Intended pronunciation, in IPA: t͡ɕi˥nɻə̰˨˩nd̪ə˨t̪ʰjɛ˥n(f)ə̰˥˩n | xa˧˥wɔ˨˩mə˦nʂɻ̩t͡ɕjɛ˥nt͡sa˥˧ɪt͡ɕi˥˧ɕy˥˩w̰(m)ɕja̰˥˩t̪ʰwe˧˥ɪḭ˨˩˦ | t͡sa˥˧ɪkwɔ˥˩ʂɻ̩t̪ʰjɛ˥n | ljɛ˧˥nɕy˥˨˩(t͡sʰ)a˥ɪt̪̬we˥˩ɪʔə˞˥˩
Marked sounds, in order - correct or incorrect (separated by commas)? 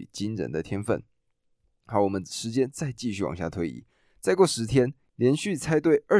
correct, incorrect, correct